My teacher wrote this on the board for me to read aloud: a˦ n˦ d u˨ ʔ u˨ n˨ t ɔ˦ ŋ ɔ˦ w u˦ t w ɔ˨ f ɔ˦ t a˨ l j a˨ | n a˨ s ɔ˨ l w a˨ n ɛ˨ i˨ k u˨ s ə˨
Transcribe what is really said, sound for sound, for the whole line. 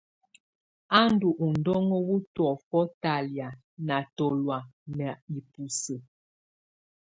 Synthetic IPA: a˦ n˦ d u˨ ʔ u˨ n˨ d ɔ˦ ŋ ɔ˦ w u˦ t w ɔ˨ f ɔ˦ t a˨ l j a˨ | n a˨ t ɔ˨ l w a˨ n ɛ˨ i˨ p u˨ s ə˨